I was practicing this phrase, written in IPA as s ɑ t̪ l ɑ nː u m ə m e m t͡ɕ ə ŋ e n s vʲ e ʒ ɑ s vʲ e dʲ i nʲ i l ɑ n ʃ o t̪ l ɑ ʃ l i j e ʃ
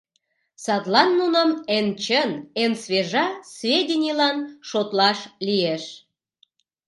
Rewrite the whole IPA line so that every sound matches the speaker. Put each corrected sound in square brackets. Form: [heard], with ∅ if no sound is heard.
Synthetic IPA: s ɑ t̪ l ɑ nː u [n] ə m e [n] t͡ɕ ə [n] e n s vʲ e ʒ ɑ s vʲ e dʲ i nʲ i l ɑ n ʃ o t̪ l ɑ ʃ l i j e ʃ